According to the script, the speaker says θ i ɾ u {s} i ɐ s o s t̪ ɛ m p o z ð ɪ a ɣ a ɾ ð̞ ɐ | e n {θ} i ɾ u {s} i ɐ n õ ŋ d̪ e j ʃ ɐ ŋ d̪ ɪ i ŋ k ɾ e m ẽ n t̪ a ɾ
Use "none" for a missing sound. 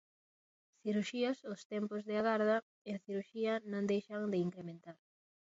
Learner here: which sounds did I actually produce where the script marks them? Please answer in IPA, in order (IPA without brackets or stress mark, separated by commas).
ʃ, θ, ʃ